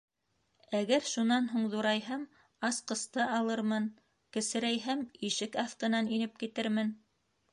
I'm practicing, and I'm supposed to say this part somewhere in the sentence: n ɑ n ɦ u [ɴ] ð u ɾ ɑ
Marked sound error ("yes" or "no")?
no